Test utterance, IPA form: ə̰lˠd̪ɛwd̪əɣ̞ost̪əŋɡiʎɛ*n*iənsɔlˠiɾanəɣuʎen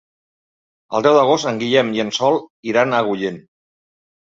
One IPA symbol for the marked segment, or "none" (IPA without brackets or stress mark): m